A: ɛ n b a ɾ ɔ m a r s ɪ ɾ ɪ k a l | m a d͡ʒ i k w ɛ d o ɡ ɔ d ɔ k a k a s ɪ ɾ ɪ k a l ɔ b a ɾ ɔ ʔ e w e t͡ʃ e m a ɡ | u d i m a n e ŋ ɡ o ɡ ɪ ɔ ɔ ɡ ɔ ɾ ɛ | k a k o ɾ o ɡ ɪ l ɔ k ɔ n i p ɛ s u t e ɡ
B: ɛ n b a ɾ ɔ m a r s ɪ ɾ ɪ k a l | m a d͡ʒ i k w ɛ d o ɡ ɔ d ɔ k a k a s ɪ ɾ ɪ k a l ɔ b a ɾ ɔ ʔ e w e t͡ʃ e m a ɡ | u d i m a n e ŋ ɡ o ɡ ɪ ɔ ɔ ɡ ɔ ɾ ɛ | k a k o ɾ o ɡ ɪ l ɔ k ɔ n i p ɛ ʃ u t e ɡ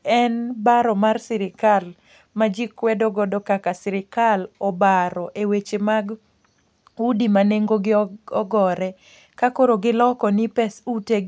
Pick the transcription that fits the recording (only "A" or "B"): A